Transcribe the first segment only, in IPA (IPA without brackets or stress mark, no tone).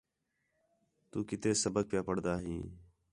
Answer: t̪